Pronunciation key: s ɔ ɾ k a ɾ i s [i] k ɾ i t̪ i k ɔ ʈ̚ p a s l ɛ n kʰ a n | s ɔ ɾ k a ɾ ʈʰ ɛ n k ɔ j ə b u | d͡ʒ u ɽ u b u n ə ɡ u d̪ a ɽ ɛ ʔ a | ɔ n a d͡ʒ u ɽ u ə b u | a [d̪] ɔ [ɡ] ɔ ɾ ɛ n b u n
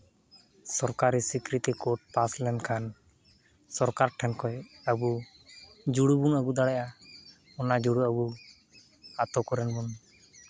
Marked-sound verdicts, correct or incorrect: correct, incorrect, incorrect

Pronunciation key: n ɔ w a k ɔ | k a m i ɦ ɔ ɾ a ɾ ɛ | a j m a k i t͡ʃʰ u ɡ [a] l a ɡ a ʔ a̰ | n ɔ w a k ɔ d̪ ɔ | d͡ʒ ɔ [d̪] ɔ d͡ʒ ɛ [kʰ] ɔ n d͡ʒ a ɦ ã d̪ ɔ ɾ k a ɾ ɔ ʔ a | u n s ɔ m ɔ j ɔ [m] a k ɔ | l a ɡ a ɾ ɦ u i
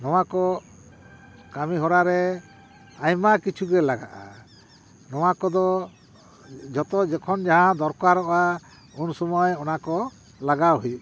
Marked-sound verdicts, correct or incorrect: incorrect, incorrect, correct, incorrect

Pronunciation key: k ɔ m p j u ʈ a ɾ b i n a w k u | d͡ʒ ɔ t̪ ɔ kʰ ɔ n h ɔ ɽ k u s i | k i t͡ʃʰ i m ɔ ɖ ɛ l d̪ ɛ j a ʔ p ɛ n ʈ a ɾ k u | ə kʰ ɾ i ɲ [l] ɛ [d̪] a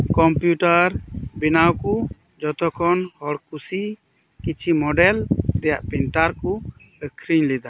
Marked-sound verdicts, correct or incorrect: correct, correct

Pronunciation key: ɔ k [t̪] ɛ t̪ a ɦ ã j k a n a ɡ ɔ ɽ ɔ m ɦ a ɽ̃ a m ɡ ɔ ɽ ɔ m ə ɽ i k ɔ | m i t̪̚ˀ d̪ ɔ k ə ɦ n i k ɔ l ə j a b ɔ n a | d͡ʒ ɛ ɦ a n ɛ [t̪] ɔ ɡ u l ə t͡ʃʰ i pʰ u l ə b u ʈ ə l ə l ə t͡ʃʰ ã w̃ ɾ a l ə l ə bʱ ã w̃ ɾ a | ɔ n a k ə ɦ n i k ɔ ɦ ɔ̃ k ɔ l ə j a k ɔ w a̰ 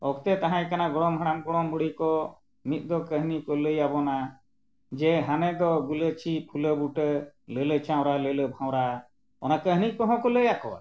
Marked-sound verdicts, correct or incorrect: correct, incorrect

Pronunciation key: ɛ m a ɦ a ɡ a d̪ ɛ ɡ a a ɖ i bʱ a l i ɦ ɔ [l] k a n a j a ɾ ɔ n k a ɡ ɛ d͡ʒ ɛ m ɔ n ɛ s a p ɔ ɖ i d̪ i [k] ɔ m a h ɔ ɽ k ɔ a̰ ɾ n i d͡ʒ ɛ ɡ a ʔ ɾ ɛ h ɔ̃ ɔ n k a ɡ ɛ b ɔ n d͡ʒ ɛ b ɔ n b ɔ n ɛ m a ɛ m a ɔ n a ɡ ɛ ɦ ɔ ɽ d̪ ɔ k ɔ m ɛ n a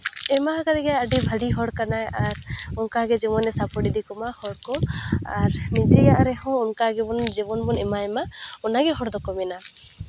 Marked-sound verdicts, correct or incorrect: incorrect, correct

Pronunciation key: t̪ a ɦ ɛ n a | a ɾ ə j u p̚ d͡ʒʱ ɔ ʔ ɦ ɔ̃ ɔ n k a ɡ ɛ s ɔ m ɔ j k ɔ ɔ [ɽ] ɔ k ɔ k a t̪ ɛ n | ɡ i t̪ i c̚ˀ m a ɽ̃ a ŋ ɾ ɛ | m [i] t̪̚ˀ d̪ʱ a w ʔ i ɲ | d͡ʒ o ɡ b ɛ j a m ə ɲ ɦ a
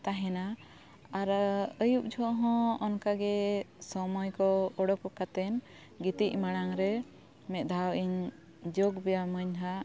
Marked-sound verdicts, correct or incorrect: correct, incorrect

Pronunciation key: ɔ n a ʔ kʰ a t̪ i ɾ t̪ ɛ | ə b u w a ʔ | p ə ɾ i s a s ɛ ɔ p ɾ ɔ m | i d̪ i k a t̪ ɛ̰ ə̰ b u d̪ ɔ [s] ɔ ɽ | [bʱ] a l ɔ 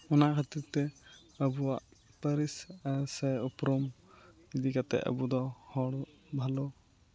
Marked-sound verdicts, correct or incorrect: incorrect, correct

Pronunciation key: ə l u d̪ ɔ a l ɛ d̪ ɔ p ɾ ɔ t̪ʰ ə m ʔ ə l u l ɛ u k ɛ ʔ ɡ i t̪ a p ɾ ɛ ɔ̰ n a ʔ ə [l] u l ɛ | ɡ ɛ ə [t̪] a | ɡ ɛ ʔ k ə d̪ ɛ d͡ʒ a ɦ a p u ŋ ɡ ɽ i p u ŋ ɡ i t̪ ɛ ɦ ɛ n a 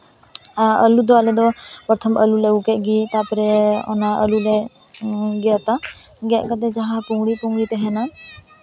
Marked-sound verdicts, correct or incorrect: correct, correct

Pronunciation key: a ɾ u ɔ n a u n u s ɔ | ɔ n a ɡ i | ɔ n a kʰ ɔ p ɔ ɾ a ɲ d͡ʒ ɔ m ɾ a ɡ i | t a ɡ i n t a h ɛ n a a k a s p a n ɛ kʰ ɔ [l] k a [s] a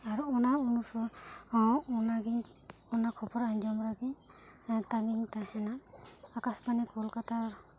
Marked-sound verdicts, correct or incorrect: correct, incorrect

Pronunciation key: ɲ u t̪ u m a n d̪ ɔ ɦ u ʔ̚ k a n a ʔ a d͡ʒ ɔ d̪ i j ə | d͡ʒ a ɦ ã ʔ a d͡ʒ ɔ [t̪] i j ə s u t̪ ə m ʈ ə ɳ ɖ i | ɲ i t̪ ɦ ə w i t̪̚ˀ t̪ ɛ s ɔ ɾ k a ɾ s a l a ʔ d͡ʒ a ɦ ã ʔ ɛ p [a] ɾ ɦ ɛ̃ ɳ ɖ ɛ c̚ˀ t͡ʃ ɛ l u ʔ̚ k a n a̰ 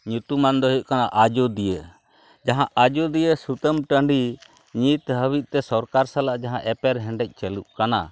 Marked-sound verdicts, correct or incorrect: incorrect, incorrect

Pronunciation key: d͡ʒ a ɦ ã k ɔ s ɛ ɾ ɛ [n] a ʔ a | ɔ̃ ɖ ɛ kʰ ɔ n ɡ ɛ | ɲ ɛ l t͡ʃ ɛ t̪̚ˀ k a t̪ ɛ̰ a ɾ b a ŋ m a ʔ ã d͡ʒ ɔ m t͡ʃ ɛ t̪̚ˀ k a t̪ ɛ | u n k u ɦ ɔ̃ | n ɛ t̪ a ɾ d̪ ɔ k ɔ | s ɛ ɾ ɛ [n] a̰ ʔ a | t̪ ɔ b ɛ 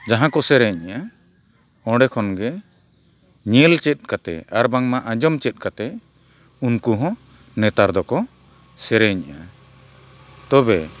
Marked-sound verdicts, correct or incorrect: incorrect, incorrect

